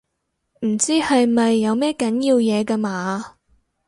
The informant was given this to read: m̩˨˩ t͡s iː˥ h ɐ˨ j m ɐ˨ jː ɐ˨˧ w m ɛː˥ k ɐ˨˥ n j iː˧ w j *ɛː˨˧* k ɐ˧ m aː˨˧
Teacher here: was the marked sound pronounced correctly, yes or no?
yes